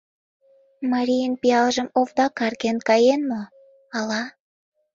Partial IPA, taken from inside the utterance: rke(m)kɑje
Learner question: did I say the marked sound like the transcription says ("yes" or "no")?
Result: no